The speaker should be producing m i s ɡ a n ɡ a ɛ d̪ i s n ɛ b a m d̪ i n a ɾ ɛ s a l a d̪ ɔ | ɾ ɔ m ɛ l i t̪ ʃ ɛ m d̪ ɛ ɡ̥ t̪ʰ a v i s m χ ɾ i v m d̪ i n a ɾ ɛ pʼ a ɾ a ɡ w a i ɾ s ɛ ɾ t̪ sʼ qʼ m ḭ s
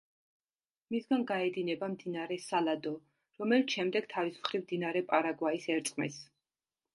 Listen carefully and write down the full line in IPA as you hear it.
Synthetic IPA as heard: m i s ɡ a n ɡ a ɛ d̪ i n ɛ b a m d̪ i n a ɾ ɛ s a l a d̪ ɔ | ɾ ɔ m ɛ l i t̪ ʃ ɛ m d̪ ɛ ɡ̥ t̪ʰ a v i s m χ ɾ i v m d̪ i n a ɾ ɛ pʼ a ɾ a ɡ w a i s ɛ ɾ t̪ sʼ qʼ m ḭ s